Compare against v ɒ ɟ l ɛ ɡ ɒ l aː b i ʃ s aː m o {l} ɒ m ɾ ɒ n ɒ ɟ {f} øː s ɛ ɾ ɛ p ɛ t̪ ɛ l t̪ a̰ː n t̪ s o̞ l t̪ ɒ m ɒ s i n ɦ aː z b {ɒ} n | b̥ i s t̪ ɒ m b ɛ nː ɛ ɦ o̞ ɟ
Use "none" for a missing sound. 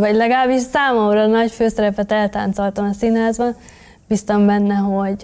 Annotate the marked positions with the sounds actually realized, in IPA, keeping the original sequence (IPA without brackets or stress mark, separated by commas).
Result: none, f, ɒ